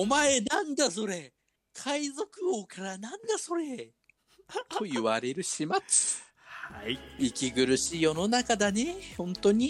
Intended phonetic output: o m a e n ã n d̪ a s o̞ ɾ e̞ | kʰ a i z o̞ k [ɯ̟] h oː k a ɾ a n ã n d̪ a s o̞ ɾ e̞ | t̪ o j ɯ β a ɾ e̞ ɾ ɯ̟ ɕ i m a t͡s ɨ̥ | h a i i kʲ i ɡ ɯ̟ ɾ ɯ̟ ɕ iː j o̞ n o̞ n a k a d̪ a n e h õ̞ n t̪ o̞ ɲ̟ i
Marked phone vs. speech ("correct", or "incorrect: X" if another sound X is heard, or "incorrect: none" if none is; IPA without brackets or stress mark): correct